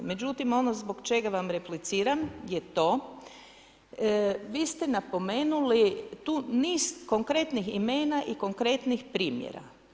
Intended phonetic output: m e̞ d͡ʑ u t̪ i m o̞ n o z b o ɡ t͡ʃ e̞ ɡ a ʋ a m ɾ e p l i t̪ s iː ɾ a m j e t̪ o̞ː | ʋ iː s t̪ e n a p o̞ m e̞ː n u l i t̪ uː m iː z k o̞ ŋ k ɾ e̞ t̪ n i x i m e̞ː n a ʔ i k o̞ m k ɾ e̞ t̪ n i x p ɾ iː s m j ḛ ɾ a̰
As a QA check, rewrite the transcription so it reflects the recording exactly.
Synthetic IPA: m e̞ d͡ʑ u t̪ i m o̞ n o z b o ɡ t͡ʃ e̞ ɡ a ʋ a m ɾ e p l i t̪ s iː ɾ a m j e t̪ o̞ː | ʋ iː s t̪ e n a p o̞ m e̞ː n u l i t̪ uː n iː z k o̞ ŋ k ɾ e̞ t̪ n i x i m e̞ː n a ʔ i k o̞ ŋ k ɾ e̞ t̪ n i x p ɾ iː m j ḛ ɾ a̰